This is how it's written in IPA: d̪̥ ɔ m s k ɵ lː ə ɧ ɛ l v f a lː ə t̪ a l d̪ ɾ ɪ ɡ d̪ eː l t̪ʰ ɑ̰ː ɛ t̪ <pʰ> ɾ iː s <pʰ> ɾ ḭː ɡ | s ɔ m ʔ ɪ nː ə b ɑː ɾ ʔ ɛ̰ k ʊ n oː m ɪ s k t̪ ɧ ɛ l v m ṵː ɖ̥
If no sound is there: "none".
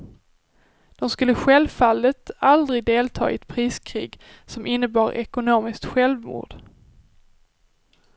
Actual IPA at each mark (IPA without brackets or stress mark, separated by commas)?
pʰ, kʰ